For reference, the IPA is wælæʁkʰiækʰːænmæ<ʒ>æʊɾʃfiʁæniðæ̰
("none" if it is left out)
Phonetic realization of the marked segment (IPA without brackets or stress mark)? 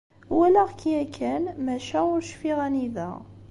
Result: ʃ